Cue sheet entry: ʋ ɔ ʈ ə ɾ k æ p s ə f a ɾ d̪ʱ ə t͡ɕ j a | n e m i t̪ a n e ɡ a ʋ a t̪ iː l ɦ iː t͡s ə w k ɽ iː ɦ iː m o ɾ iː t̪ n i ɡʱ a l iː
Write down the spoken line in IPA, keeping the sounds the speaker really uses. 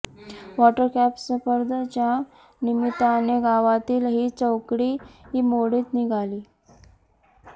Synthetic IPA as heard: ʋ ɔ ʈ ə ɾ k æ p s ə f ə ɾ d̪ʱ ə t͡ɕ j a | n i m i t̪ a n e ɡ a ʋ a t̪ iː l ɦ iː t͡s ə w k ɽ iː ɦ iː m o ɽ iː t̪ n i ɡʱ a l iː